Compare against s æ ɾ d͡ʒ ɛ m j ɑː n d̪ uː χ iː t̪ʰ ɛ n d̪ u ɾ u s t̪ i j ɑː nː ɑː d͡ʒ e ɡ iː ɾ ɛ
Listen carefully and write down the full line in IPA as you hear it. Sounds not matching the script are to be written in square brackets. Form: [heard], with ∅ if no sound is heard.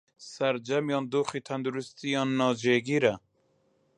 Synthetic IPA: s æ ɾ d͡ʒ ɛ m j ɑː n d̪ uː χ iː t̪ʰ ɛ n d̪ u ɾ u s t̪ i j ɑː nː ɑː d͡ʒ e ɡ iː ɾ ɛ